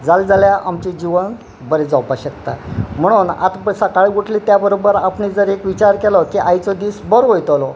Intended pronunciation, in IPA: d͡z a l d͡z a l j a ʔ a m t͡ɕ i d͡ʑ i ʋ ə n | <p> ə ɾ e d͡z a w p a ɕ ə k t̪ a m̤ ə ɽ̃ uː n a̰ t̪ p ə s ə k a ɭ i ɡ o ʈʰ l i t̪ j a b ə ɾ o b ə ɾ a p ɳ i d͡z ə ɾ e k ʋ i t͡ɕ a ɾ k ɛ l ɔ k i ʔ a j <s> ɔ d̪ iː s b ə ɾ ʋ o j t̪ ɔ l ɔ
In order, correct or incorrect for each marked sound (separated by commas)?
incorrect, incorrect